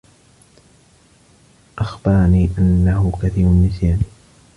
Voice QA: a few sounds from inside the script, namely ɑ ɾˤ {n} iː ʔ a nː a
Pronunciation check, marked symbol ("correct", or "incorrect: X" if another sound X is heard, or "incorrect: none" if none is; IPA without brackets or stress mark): correct